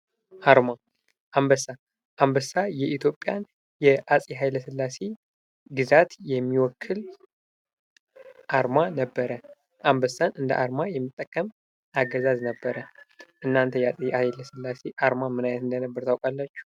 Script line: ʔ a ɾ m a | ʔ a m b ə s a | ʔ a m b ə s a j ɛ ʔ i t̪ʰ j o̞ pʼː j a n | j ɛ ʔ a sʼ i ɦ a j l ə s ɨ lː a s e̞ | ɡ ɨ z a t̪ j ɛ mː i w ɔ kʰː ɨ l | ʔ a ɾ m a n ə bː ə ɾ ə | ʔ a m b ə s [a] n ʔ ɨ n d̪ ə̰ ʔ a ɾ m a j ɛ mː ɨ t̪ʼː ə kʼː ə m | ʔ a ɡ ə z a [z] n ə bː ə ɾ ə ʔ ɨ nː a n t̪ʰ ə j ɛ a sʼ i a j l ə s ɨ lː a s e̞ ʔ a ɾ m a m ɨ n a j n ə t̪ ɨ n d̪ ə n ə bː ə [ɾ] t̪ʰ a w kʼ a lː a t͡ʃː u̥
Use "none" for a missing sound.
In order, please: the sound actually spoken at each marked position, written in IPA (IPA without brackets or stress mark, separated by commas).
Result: a, z, ɾ